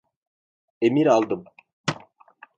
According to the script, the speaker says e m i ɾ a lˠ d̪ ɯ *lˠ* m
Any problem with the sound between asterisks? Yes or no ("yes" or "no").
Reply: yes